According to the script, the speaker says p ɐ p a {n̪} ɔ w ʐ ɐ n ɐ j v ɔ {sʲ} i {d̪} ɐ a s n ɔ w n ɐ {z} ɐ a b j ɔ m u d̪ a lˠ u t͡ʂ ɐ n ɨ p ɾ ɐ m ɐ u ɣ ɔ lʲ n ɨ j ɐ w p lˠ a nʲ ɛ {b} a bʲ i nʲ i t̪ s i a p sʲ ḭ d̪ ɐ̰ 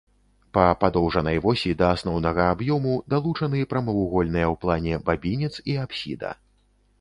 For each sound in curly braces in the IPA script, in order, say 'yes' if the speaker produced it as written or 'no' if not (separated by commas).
no, yes, yes, no, yes